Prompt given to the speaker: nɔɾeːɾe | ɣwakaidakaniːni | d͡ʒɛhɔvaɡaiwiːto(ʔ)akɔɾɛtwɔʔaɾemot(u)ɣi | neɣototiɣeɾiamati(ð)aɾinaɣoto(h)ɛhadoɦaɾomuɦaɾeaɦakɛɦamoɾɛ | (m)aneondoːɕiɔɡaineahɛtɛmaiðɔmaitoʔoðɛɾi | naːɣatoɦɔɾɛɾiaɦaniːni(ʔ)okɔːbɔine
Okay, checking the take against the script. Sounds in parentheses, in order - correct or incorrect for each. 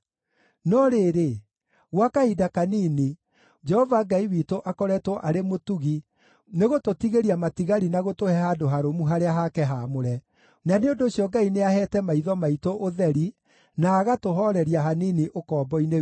correct, correct, incorrect, correct, incorrect, correct

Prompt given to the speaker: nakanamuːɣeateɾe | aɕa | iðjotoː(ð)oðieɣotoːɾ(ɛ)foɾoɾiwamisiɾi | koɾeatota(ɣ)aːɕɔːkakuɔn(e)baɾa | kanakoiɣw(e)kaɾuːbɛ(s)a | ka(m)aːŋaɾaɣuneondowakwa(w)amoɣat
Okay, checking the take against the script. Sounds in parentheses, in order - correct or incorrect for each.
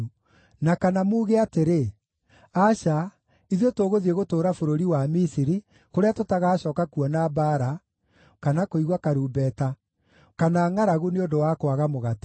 incorrect, incorrect, correct, incorrect, incorrect, incorrect, incorrect, incorrect

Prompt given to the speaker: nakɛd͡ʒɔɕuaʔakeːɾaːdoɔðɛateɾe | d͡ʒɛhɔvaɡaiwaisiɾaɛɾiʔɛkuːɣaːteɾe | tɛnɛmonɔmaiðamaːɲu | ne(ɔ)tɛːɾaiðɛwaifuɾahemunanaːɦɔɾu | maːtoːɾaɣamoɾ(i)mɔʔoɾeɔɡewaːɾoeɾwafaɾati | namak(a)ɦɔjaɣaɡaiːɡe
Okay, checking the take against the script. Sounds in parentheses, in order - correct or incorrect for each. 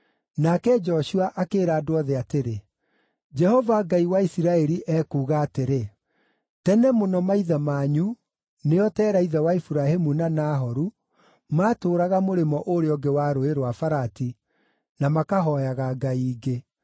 correct, incorrect, correct

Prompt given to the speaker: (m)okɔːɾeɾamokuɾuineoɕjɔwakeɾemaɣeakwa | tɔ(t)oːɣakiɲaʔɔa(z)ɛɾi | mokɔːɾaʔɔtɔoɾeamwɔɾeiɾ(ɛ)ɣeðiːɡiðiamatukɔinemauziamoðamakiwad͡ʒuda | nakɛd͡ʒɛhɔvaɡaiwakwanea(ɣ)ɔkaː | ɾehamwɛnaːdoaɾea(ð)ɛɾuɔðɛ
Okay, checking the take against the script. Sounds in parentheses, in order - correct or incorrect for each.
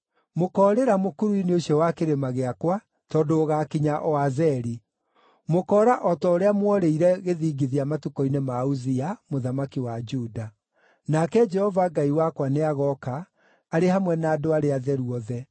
correct, incorrect, correct, correct, correct, correct

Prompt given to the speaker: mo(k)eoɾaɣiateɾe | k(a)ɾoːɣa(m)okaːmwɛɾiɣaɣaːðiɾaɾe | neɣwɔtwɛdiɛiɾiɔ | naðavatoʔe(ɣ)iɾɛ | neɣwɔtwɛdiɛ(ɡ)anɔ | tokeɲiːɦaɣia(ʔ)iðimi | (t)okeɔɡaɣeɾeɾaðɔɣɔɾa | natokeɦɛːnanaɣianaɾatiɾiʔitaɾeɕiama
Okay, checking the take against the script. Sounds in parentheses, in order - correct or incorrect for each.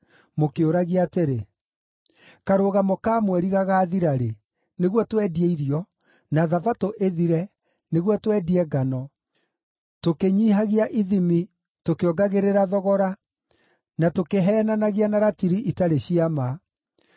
correct, correct, correct, incorrect, correct, correct, correct

